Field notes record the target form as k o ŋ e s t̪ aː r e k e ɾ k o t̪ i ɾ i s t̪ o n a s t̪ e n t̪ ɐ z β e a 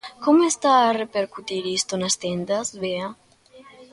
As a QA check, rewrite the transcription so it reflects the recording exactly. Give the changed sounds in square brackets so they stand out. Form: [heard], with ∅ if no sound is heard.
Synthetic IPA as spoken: k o [m] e s t̪ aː r e [p] e ɾ k [u] t̪ i ɾ i s t̪ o n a s t̪ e n [d̪] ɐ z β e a